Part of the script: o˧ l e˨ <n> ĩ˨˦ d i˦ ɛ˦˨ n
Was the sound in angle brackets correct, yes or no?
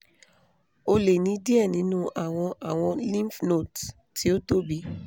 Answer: yes